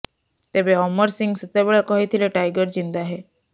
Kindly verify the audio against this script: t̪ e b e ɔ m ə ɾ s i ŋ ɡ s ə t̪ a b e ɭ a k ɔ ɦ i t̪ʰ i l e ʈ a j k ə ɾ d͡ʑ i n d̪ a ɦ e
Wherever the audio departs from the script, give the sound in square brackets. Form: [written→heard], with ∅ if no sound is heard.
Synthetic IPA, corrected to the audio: t̪ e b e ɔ m ə ɾ s i ŋ ɡ s ə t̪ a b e ɭ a k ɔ ɦ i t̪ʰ i l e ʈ a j [k→ɡ] ə ɾ d͡ʑ i n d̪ a ɦ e